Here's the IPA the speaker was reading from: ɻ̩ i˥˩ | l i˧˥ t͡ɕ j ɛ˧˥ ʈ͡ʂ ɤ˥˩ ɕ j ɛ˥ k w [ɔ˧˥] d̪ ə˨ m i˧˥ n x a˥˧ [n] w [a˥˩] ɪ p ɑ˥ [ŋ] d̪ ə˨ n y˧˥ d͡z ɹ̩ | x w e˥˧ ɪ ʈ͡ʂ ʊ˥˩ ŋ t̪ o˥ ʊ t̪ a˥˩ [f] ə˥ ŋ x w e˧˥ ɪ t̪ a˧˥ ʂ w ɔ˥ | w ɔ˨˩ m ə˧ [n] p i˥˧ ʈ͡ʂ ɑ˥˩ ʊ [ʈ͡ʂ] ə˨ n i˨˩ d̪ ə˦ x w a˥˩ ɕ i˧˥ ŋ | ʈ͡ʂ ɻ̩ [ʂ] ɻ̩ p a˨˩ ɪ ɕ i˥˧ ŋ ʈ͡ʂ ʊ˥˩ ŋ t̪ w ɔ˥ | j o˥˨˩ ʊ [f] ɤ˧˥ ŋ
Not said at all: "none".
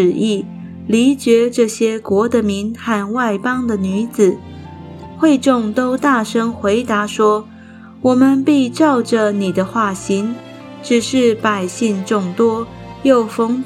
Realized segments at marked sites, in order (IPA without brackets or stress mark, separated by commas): ɔ˧˥, n, a˥˩, ŋ, ʂ, n, ʈ͡ʂ, ʂ, f